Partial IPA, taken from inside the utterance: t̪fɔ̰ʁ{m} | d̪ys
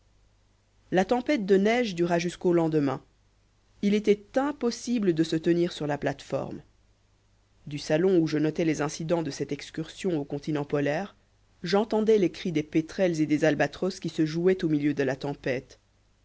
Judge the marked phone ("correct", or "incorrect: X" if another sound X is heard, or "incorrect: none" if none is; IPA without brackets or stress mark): correct